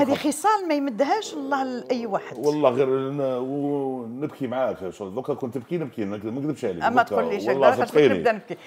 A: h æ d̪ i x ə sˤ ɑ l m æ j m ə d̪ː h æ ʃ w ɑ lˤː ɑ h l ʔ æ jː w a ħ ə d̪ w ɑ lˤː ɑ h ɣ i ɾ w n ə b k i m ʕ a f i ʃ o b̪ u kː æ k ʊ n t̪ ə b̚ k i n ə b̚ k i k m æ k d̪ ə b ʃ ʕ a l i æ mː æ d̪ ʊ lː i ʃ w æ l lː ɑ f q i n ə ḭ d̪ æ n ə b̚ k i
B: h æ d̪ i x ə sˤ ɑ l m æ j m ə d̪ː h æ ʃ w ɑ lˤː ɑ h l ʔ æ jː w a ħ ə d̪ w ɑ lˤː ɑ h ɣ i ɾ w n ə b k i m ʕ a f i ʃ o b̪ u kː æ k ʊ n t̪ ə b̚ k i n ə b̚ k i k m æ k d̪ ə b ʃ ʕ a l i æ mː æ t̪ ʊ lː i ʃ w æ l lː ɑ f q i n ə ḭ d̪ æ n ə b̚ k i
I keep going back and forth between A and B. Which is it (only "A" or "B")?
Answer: B